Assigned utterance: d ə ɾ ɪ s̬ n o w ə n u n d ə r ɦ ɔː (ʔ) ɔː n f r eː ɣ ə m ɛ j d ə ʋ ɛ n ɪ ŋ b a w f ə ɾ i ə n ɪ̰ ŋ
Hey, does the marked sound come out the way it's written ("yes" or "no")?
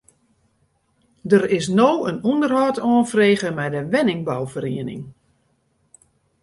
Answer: no